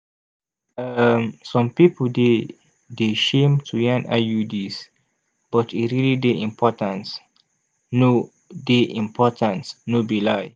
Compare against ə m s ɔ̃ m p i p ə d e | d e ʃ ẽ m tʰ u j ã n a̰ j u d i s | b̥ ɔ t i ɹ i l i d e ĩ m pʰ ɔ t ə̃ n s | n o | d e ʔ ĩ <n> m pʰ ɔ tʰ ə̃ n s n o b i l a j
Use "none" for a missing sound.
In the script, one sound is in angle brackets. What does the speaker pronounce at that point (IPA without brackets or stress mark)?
none